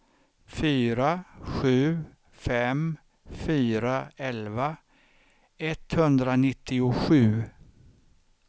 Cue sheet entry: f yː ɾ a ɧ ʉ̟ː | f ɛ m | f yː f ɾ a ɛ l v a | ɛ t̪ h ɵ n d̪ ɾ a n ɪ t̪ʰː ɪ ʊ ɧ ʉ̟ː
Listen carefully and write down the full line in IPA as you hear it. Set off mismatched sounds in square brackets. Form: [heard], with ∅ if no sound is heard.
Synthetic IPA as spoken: f yː ɾ a ɧ ʉ̟ː | f ɛ m | f yː [∅] ɾ a ɛ l v a | ɛ t̪ h ɵ n d̪ ɾ a n ɪ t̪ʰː ɪ ʊ ɧ ʉ̟ː